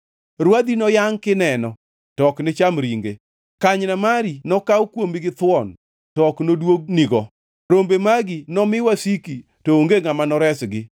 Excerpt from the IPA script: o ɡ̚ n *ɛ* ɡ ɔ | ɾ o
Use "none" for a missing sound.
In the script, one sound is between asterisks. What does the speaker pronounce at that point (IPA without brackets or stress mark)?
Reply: i